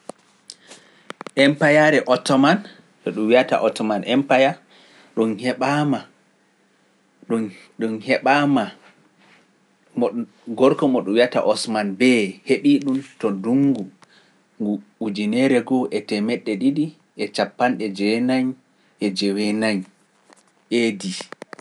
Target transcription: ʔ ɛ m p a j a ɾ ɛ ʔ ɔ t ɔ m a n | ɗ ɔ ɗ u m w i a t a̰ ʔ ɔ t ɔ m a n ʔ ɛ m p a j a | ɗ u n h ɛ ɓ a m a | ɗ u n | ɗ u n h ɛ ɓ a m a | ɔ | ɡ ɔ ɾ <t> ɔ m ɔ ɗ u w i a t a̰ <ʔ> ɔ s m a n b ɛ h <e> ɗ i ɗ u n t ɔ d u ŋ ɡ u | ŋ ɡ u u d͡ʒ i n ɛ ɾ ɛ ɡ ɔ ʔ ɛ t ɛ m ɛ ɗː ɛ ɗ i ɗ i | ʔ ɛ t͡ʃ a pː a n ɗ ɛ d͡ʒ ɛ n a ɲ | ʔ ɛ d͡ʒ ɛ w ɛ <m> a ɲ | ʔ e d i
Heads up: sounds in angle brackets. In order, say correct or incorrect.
incorrect, correct, correct, incorrect

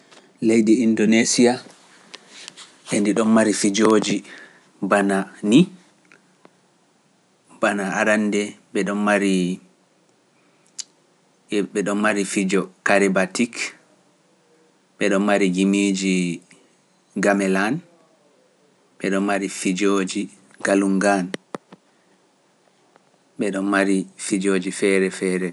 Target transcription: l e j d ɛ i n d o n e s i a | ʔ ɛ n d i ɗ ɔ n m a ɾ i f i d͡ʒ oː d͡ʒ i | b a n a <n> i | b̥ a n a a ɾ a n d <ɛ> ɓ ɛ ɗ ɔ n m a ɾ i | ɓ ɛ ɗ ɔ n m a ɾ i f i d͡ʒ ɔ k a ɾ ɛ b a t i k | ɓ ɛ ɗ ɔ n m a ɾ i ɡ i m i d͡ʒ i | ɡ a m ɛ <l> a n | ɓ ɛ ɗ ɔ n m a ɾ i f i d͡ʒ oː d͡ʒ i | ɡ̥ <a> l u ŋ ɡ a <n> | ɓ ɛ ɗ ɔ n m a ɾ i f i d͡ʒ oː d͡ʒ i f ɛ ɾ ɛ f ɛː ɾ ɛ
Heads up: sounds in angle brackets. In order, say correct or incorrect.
correct, correct, correct, correct, correct

